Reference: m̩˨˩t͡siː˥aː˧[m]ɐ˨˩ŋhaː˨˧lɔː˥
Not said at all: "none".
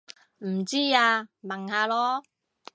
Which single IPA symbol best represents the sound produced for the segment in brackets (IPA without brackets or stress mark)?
m